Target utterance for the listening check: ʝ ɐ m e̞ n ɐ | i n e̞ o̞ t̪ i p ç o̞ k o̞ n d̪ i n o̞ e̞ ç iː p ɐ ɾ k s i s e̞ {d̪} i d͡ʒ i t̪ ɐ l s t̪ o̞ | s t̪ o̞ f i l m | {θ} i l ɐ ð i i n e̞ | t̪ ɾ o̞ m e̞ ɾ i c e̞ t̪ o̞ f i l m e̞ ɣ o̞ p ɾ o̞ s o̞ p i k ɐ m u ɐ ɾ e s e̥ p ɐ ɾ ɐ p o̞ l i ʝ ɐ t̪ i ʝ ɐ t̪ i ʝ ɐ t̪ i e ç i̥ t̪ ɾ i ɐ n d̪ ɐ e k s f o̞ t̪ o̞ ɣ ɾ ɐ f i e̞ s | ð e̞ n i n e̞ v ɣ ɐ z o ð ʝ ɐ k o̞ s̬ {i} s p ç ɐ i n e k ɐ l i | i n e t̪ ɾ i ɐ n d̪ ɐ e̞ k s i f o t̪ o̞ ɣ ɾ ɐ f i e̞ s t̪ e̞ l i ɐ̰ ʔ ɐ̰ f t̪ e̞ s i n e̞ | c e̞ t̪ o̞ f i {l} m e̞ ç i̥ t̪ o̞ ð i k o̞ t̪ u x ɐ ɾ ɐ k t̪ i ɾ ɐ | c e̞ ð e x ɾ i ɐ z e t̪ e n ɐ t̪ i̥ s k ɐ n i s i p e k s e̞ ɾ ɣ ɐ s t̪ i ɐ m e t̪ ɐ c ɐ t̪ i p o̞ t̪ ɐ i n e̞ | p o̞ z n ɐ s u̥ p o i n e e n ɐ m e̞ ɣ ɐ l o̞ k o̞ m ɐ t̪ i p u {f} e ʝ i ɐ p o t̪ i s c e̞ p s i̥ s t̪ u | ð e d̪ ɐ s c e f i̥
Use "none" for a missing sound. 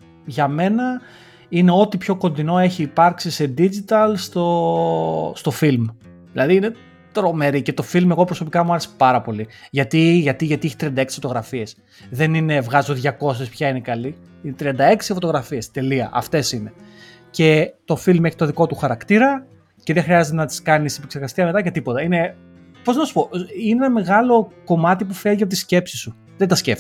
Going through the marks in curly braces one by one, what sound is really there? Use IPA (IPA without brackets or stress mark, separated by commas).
d̪, ð, e, l, f